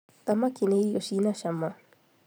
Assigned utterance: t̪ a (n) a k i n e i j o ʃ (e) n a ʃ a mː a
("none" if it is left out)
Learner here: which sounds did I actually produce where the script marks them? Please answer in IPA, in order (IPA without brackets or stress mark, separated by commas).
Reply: m, i